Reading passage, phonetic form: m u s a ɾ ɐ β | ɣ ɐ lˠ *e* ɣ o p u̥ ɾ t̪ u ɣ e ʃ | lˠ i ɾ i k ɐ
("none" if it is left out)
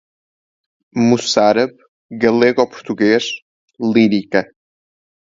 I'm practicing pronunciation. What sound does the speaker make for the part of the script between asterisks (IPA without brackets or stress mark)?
e